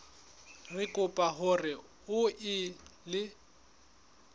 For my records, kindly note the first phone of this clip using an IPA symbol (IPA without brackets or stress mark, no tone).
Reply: r